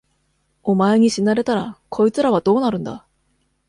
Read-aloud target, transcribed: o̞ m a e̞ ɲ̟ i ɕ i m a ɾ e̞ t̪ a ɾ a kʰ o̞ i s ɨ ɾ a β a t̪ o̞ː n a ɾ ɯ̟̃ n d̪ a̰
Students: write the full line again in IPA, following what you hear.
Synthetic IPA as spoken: o̞ m a e̞ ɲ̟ i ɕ i n a ɾ e̞ t̪ a ɾ a kʰ o̞ i t͡s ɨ ɾ a β a d̪ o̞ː n a ɾ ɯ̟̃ n d̪ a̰